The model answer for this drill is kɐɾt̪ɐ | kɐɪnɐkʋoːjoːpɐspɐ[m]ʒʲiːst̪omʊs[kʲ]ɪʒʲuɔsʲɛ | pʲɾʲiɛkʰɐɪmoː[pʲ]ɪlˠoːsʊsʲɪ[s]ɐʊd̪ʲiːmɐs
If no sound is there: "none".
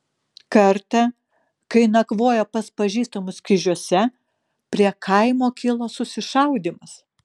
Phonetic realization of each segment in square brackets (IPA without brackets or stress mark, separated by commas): none, kʲ, kʲ, ʃ